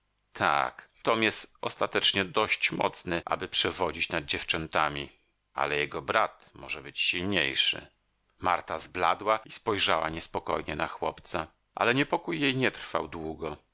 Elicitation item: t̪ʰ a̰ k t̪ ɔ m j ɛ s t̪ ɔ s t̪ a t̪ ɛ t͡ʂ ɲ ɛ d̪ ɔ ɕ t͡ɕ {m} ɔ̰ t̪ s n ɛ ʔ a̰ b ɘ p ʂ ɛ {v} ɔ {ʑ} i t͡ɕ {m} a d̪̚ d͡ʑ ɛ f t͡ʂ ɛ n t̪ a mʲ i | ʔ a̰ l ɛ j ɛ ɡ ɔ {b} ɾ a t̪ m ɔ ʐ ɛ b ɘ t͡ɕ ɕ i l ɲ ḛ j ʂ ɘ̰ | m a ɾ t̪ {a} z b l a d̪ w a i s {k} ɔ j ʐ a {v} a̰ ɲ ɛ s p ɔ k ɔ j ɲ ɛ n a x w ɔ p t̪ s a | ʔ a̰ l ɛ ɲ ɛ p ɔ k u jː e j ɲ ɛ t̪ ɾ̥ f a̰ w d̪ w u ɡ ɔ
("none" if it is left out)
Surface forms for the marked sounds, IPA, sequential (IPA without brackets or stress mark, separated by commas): m, v, d͡ʑ, n, b, a, p, w